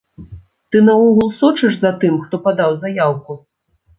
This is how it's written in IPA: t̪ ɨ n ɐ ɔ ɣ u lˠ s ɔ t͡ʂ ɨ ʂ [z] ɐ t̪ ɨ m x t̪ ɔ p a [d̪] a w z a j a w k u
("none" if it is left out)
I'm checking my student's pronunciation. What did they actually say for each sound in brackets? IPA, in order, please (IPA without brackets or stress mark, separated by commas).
z, d̪